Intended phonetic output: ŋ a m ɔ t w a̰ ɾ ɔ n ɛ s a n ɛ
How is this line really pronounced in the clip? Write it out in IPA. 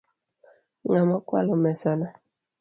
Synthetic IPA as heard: ŋ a m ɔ k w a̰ l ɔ m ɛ s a n a